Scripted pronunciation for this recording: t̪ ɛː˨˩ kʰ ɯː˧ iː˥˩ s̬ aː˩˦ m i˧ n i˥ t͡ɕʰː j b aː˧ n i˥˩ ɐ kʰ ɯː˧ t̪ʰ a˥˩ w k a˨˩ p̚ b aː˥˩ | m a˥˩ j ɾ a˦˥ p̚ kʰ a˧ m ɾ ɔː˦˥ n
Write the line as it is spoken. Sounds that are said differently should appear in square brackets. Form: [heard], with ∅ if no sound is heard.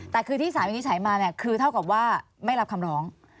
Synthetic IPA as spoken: t̪ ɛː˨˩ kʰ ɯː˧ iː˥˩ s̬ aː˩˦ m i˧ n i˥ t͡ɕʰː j [m] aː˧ n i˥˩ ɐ kʰ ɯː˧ t̪ʰ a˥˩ w k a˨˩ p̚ [w] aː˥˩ | m a˥˩ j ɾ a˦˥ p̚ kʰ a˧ m ɾ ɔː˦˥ [ŋ]